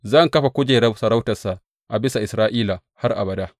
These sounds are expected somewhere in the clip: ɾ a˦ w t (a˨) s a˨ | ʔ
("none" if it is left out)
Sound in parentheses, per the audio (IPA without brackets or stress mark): ɐ˨